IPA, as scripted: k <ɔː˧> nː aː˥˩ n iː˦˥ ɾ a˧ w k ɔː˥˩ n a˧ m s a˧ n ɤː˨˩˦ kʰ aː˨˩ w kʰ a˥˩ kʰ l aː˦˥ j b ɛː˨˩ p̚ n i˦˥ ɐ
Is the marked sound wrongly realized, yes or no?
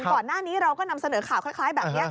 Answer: yes